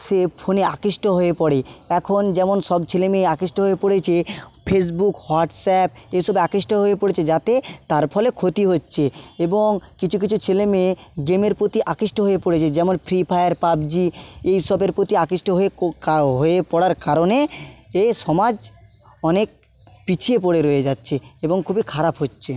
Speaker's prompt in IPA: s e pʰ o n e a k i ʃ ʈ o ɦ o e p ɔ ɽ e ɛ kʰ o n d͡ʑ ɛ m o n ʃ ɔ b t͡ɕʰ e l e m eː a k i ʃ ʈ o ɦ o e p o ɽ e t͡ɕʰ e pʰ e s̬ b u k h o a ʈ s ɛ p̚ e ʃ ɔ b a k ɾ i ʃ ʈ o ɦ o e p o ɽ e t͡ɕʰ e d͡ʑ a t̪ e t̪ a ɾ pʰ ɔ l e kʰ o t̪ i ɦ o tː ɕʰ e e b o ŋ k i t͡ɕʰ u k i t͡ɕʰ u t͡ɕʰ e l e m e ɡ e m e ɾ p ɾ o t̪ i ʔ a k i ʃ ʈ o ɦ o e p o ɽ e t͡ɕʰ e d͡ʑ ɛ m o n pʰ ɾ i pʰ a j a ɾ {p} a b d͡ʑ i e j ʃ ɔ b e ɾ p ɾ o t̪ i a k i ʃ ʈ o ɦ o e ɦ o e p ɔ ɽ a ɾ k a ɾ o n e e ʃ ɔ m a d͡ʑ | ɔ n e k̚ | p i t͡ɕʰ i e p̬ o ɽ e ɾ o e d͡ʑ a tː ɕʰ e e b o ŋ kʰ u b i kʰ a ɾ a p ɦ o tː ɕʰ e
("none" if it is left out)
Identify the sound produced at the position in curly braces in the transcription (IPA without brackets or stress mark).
p